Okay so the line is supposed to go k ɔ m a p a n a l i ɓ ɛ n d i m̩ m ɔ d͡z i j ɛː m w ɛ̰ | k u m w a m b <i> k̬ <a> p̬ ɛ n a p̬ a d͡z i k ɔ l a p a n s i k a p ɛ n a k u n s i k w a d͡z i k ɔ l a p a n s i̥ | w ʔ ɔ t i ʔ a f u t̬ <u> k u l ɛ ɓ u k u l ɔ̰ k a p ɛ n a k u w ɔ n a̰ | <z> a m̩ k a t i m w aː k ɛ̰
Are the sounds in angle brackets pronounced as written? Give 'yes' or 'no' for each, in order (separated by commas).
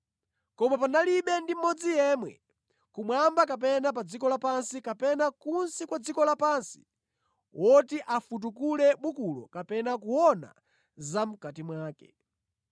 no, yes, yes, yes